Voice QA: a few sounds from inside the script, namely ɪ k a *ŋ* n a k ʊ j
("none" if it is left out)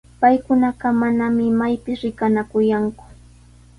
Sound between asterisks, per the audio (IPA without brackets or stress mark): none